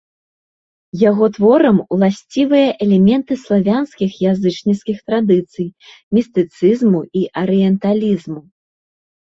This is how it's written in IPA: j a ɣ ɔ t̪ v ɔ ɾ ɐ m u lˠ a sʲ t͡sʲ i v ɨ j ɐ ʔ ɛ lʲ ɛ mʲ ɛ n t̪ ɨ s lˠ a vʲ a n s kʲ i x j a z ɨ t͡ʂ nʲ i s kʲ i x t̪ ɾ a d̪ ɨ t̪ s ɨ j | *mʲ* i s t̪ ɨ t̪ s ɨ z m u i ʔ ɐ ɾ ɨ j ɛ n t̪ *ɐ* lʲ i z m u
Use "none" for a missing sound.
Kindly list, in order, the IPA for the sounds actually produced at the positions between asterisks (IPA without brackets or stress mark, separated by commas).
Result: mʲ, a